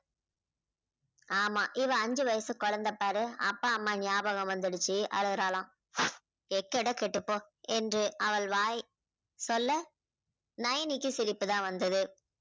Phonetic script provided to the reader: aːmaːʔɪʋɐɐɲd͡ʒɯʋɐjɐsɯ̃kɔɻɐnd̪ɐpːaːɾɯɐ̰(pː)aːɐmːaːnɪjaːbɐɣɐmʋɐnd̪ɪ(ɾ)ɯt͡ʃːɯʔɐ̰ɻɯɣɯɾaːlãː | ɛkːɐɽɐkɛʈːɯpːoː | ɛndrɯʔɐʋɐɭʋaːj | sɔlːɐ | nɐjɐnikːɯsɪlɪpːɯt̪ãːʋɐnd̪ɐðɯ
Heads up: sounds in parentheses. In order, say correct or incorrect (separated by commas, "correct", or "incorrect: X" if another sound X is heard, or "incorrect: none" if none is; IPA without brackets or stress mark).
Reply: correct, incorrect: ɽ